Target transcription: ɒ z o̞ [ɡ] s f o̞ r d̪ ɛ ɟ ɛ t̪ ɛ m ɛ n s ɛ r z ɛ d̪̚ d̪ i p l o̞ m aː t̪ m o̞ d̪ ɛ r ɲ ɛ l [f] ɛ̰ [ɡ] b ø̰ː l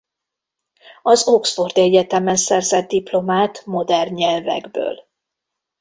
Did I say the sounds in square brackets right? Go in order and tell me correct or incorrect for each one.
incorrect, incorrect, correct

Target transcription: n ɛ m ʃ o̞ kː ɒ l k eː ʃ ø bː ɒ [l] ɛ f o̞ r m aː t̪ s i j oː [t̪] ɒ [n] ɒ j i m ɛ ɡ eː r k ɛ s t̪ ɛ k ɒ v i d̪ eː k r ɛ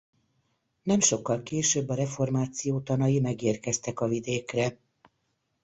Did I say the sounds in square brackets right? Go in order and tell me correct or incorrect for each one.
incorrect, correct, correct

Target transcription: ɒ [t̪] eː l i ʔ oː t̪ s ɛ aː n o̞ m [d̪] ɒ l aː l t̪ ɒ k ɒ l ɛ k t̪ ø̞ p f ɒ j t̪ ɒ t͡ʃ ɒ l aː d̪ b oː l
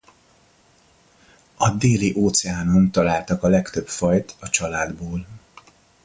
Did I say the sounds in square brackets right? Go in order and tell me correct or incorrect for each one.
incorrect, incorrect

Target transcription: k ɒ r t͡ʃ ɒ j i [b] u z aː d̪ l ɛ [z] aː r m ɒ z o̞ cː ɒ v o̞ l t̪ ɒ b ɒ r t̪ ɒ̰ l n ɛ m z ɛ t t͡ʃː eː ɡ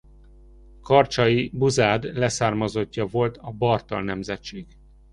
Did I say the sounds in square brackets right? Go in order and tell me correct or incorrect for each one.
correct, incorrect

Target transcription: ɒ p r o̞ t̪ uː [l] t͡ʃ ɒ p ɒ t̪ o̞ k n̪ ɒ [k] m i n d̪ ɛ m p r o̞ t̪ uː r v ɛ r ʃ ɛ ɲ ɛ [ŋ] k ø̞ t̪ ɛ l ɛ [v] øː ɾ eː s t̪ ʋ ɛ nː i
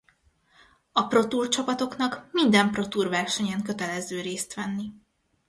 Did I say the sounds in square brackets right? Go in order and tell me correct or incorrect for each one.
incorrect, correct, correct, incorrect

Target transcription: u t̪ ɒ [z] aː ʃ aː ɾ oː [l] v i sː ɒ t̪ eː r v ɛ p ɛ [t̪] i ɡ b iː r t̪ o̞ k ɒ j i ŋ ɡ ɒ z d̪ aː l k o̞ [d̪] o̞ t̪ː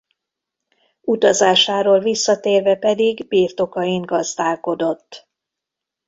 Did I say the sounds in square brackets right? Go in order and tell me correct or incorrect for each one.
correct, correct, incorrect, correct

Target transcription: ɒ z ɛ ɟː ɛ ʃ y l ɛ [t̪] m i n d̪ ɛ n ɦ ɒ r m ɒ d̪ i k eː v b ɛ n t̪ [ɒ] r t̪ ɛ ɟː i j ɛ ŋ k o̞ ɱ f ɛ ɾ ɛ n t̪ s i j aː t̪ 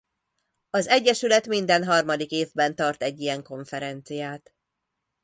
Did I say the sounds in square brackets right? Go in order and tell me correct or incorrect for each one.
correct, correct

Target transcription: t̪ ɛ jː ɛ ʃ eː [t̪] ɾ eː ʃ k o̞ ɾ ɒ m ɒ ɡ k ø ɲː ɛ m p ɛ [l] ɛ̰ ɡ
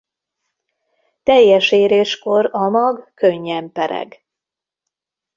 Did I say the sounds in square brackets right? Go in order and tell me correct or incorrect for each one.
incorrect, incorrect

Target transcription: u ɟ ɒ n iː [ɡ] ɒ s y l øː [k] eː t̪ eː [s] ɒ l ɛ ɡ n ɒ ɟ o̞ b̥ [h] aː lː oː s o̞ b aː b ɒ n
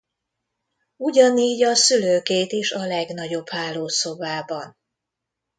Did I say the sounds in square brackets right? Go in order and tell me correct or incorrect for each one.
incorrect, correct, incorrect, correct

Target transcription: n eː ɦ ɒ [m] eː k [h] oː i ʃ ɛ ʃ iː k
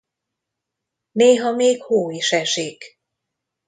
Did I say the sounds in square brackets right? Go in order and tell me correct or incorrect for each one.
correct, correct

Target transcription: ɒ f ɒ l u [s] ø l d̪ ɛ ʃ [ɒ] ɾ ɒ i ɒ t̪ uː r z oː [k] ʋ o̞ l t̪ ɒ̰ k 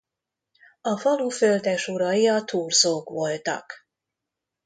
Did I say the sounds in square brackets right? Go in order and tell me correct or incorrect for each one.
incorrect, incorrect, correct

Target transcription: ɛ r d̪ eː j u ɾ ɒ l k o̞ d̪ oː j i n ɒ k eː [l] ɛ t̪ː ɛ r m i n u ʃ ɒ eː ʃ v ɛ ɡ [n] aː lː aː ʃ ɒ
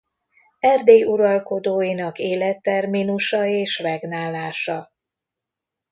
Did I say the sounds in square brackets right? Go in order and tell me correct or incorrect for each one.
correct, correct

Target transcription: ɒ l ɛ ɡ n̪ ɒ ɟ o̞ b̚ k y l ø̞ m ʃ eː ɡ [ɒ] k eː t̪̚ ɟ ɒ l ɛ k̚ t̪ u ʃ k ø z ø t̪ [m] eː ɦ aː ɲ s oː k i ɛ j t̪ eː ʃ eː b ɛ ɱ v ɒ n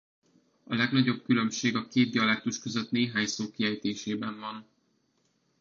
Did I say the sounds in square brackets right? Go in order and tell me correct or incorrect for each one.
correct, incorrect

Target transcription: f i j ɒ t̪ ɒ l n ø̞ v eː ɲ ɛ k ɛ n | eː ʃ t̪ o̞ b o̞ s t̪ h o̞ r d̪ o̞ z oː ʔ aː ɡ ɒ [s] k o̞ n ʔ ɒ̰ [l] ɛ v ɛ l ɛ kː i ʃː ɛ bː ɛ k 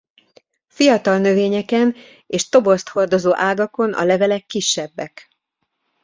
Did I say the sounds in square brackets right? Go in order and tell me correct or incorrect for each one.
incorrect, correct

